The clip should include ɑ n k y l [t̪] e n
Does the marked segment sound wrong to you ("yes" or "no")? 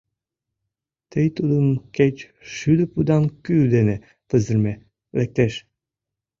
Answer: yes